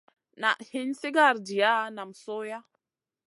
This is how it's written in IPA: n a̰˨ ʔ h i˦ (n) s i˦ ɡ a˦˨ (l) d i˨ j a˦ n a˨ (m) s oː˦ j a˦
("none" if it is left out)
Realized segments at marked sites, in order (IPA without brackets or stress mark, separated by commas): n, ɾ, m